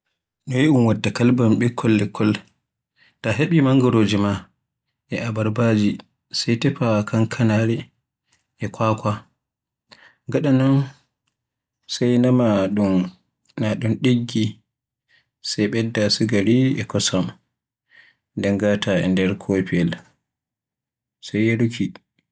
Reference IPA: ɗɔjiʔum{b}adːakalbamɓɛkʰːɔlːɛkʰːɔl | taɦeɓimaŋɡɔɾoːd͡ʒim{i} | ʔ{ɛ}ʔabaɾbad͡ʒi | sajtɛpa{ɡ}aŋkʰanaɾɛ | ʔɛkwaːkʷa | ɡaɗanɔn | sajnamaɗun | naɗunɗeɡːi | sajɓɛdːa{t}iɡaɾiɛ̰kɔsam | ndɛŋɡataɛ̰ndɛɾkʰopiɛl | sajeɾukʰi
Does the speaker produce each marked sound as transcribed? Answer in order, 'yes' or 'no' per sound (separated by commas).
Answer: no, no, yes, no, no